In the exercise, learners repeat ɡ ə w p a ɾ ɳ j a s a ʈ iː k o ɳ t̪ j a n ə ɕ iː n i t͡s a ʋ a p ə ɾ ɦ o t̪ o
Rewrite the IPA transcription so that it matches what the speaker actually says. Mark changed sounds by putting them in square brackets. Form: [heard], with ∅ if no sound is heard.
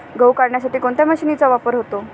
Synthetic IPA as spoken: ɡ ə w [k] a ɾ ɳ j a s a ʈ iː k o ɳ t̪ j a [m] ə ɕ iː n i t͡s a ʋ a p ə ɾ ɦ o t̪ o